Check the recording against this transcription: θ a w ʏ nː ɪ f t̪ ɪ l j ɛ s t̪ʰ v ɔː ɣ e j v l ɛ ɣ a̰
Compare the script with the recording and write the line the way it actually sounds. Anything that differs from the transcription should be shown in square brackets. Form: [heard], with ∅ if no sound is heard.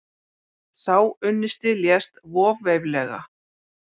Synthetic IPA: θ a w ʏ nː ɪ [s] t̪ ɪ l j ɛ s [t̪] v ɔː [v] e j v l ɛ ɣ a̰